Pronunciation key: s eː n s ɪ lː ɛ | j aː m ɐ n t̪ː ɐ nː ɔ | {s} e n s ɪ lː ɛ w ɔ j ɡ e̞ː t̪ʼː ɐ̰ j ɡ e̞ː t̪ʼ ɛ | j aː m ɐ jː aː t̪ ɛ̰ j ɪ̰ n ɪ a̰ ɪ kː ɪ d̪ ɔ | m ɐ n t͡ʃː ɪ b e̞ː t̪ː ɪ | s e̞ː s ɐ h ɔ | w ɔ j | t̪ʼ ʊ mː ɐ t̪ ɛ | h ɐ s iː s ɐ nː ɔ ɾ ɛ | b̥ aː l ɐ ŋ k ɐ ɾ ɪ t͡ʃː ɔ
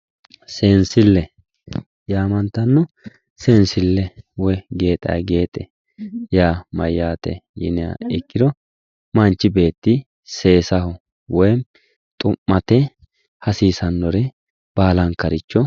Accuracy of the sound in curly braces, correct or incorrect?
correct